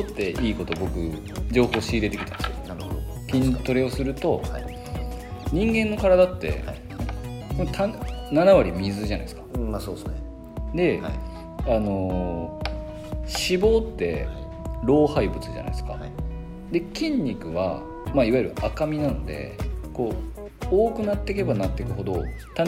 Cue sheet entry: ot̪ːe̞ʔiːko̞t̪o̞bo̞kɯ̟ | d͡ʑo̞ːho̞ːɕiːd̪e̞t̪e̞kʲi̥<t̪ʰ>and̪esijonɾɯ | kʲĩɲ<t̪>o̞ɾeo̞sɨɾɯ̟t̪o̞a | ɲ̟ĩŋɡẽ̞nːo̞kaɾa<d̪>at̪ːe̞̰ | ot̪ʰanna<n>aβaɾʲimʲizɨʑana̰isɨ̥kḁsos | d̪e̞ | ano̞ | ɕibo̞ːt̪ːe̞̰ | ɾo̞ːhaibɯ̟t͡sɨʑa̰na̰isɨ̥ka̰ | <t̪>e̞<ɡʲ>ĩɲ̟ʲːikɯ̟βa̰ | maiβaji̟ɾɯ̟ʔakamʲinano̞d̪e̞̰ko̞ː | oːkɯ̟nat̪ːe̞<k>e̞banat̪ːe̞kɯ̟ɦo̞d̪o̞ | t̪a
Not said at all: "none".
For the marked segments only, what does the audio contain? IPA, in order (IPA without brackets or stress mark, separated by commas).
t̪, t̪, d̪, n, d̪, kʲ, k